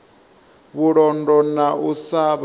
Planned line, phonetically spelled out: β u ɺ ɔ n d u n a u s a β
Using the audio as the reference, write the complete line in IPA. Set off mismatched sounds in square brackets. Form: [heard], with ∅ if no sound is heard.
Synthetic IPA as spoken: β u ɺ ɔ n d [ɔ] n a u s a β

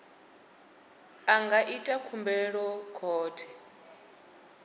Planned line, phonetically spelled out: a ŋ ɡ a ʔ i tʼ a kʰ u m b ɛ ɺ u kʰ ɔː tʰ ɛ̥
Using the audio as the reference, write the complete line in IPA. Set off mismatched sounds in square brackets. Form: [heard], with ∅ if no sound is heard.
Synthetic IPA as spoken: a ŋ ɡ a ʔ i tʼ a kʰ u m b ɛ ɺ [ɔ] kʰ ɔː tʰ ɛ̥

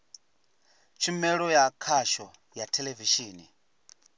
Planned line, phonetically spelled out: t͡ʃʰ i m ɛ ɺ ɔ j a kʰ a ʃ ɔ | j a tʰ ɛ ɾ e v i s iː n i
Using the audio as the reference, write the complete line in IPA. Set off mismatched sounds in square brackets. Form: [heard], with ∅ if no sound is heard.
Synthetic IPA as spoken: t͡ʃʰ i m ɛ ɺ ɔ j a kʰ a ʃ ɔ | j a tʰ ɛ [l] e v i [ʃ] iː n i

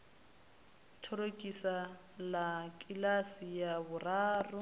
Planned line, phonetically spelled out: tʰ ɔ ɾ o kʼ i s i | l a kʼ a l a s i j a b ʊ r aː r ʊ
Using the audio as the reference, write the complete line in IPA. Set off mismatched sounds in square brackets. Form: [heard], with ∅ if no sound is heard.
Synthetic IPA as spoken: tʰ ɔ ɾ o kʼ i s [a] | l a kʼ [i] l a s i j a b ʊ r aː r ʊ

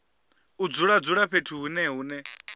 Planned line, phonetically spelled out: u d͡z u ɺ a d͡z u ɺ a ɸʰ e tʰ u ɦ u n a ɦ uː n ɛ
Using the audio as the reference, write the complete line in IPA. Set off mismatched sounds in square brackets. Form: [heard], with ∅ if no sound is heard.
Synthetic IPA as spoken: u d͡z u ɺ a d͡z u ɺ a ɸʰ e tʰ u ɦ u n [ɛ] ɦ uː n ɛ

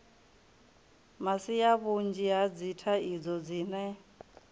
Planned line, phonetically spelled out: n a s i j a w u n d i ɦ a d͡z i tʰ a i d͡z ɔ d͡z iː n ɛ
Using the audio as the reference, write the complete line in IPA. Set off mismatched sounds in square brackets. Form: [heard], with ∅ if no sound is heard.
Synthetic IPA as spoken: [m] a s i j a [β] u n [d͡ʒ] i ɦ a d͡z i tʰ a i d͡z ɔ d͡z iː n ɛ

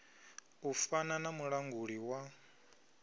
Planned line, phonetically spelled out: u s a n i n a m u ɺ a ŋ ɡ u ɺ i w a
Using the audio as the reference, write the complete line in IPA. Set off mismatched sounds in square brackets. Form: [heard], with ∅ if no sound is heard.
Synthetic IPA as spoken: u [f] a n [a] n a m u ɺ a ŋ ɡ u ɺ i w a

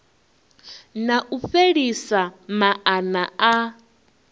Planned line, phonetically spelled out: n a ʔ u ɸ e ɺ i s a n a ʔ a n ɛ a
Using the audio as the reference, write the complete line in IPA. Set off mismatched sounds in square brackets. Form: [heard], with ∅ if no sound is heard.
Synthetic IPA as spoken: n a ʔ u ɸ e ɺ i s a [m] a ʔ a n [a] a

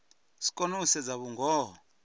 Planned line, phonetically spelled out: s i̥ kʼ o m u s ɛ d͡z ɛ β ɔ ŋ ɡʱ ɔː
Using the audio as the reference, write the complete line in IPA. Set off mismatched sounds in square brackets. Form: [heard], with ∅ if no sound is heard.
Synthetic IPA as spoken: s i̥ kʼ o [n] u s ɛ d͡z [a] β [u] ŋ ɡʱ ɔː

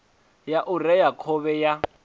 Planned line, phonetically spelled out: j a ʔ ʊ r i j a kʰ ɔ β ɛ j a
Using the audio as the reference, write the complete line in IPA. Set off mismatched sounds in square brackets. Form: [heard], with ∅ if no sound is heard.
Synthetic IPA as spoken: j a ʔ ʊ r [ɛ] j a kʰ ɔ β ɛ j a

